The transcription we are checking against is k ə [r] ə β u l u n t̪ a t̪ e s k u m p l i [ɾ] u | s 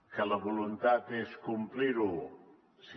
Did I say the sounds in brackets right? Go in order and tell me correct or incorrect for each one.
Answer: incorrect: l, correct

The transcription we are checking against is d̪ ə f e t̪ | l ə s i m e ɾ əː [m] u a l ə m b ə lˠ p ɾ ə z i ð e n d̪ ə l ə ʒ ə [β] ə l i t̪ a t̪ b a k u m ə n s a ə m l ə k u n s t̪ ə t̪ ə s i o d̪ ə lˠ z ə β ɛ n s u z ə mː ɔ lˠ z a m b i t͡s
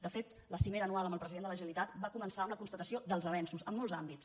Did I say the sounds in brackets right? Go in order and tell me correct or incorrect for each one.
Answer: incorrect: n, incorrect: none

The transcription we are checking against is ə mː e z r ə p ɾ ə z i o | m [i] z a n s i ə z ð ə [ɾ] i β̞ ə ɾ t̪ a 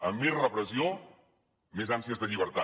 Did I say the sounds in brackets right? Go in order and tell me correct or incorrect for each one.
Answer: incorrect: e, incorrect: ʎ

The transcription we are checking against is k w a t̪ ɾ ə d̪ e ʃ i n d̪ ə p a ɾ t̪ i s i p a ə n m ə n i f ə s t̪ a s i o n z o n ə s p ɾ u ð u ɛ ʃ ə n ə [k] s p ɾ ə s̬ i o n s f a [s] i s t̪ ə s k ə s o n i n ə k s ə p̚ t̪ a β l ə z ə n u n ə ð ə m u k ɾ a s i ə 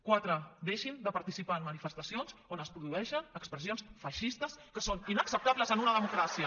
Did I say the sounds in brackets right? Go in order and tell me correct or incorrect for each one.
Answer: correct, incorrect: ʃ

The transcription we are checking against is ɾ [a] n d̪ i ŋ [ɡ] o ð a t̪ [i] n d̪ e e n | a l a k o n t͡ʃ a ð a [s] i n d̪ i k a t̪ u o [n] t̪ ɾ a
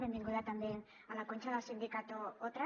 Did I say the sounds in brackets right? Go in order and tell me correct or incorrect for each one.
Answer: incorrect: e, correct, incorrect: a, correct, incorrect: none

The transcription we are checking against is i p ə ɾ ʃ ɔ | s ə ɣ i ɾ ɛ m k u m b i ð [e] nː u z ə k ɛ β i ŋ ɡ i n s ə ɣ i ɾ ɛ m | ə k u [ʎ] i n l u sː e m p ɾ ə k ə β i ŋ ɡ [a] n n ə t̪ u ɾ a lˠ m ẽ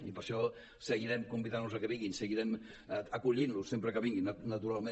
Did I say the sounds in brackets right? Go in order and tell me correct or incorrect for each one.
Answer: incorrect: a, correct, incorrect: i

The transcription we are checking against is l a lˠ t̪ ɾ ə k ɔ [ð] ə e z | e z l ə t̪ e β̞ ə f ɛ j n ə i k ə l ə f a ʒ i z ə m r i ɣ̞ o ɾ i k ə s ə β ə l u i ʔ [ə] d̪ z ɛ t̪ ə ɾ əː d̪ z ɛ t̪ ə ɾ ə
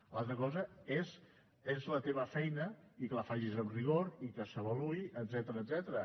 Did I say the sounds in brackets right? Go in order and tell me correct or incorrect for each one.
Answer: incorrect: z, correct

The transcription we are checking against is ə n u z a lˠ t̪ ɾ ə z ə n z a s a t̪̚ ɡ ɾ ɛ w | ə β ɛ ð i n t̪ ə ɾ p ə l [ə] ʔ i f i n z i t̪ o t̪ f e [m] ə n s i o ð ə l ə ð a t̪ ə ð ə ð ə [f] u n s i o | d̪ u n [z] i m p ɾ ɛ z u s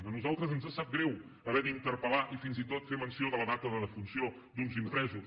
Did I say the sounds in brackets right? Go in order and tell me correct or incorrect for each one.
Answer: incorrect: a, correct, correct, correct

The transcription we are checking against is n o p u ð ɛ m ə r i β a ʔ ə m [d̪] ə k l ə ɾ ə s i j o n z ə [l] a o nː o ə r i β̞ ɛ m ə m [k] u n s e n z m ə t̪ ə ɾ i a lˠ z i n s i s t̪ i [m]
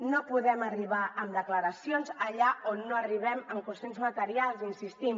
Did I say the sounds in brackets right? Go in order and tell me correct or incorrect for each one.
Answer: correct, incorrect: ʎ, correct, correct

